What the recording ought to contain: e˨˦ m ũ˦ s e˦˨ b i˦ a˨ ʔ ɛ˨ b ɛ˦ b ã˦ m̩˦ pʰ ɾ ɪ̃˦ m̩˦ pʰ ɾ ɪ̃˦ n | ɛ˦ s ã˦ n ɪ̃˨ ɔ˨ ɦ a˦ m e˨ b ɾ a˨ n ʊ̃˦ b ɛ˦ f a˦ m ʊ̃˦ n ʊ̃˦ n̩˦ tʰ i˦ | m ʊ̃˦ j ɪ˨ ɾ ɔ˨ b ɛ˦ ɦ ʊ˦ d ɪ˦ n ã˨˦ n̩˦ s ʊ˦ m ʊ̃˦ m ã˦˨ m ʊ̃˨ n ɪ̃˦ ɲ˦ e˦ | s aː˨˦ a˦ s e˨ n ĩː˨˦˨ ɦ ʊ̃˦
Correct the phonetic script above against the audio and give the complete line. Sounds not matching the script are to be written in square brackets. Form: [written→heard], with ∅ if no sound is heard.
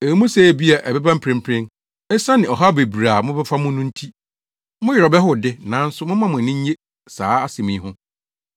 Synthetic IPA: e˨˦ m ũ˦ s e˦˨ b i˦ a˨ ʔ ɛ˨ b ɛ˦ b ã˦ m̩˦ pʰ ɾ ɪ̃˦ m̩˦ pʰ ɾ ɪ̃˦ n | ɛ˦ s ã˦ n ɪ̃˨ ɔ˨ ɦ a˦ [m→b] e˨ b ɾ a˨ [n→m] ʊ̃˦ b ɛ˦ f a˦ m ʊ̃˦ n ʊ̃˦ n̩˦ tʰ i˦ | m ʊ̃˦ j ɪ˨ ɾ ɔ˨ b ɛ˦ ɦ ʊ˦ d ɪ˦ n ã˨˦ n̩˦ s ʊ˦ m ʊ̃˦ m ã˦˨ m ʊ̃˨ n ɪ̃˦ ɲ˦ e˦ | s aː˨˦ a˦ s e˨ [n→m] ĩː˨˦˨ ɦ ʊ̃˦